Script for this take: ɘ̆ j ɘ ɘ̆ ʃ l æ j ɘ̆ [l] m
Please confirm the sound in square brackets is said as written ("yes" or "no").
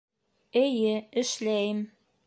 no